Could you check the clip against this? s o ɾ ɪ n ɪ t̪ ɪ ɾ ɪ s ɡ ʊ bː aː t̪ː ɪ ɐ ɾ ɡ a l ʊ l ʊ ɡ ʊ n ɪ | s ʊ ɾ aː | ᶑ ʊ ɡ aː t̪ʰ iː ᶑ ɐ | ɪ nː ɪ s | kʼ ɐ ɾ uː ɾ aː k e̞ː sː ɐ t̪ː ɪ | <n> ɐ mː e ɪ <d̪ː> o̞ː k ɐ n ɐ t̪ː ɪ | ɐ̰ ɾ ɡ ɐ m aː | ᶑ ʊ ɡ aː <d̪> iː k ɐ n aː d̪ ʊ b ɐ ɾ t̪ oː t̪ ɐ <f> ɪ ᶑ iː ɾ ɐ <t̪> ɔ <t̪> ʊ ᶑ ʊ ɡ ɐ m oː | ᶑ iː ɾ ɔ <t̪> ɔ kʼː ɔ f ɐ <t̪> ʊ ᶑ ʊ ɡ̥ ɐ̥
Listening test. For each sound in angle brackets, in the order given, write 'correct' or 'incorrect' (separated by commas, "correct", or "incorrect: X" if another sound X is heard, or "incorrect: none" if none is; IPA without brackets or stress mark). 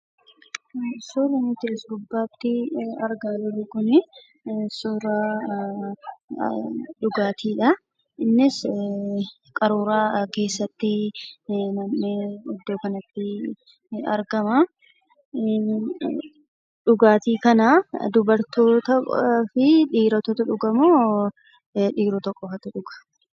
correct, correct, incorrect: t̪, correct, correct, correct, correct, correct